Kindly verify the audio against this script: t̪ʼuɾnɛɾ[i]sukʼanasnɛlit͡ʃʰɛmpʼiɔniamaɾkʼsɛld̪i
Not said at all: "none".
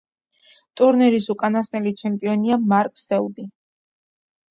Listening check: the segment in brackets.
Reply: i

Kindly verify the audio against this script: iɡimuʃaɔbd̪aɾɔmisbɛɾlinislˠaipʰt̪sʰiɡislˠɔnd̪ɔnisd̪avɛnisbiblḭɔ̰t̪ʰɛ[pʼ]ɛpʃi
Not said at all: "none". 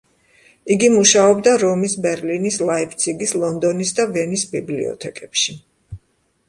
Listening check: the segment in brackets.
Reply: kʼ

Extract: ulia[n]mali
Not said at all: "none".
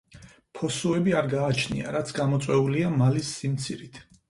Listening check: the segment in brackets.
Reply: none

